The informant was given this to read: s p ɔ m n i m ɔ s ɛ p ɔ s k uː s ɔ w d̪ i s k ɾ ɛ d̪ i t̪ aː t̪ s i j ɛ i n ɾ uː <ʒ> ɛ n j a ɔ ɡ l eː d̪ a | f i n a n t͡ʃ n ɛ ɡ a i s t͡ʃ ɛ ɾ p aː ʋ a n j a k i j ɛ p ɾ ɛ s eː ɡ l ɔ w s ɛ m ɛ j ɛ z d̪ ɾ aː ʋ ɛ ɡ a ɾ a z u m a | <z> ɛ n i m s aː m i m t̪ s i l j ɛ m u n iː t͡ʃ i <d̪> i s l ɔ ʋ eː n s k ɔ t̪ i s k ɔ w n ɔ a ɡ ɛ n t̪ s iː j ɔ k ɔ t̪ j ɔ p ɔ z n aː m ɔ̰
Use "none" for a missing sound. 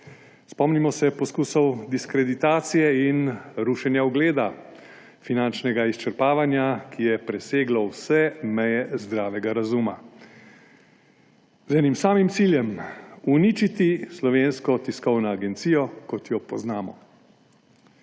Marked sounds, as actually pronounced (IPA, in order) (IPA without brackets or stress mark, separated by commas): ʃ, z, t̪